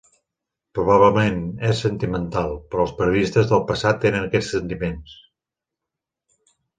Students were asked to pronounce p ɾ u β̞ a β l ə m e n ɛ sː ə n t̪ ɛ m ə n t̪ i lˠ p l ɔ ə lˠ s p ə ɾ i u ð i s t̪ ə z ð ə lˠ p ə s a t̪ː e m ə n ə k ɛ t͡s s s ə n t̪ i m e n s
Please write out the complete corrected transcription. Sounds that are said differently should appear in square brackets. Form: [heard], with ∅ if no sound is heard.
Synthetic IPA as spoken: p ɾ u β̞ a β l ə m e n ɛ sː ə n t̪ [i] m ə n t̪ [a] lˠ p [ɾ] ɔ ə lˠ s p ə ɾ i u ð i s t̪ ə z ð ə lˠ p ə s a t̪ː e [n] ə n ə k ɛ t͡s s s ə n t̪ i m e n s